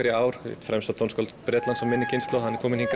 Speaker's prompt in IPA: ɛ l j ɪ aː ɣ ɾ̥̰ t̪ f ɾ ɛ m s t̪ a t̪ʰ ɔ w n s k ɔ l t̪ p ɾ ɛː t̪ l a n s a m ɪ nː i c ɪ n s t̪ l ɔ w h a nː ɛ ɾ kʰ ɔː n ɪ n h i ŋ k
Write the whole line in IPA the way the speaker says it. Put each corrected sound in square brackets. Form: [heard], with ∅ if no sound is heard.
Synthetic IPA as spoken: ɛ [ɾ] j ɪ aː [w] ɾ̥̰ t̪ f ɾ ɛ m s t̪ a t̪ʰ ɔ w n s k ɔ l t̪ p ɾ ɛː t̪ l a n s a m ɪ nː [ɪ] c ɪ n s t̪ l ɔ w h a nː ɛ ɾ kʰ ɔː [m] ɪ n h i ŋ k